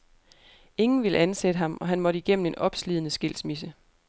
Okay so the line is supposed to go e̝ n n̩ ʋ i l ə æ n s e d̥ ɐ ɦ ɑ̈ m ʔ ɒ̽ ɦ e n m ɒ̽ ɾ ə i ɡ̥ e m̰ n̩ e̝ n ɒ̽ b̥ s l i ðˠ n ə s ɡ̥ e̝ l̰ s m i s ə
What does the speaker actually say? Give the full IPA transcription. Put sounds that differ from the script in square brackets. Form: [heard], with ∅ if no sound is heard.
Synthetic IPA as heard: e̝ [ŋ] n̩ ʋ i l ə æ n s e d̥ [ə] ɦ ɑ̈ m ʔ ɒ̽ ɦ [æ] n m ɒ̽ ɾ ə i ɡ̥ e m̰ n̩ e̝ n ɒ̽ b̥ s l i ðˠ n ə s ɡ̥ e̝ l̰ s m i s ə